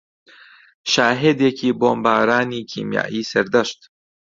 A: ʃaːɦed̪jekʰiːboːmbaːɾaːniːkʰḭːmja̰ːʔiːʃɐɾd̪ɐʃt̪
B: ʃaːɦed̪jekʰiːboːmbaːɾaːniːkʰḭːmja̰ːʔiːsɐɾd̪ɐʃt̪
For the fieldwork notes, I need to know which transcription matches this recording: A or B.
B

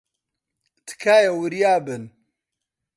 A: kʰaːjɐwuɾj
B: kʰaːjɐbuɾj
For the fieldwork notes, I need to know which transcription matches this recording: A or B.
A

